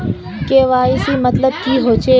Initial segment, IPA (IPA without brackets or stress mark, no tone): k